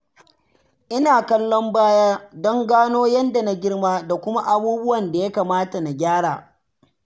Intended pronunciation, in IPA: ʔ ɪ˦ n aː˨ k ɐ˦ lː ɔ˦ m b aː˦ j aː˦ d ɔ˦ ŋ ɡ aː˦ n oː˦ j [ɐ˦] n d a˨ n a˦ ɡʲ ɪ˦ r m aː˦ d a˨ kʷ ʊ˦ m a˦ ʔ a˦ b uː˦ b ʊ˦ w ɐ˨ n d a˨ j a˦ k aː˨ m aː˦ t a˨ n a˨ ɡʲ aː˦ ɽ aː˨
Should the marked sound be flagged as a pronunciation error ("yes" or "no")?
no